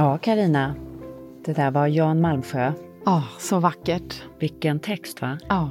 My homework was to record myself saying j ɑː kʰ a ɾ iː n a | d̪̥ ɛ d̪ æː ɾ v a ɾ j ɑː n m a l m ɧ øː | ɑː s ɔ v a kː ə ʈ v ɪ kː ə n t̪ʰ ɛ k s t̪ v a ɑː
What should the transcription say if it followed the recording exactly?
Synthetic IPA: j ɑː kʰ a ɾ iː n a | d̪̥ ɛ d̪ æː ɾ v a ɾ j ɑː n m a l m ɧ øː | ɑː s ɔ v a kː ə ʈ v ɪ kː ə n t̪ʰ ɛ k s t̪ v a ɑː